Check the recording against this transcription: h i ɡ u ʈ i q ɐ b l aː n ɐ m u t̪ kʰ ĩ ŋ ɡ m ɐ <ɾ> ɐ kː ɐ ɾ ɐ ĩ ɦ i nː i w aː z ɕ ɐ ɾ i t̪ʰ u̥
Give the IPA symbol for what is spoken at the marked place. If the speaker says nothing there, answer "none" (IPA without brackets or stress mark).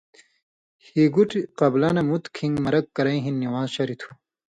ɾ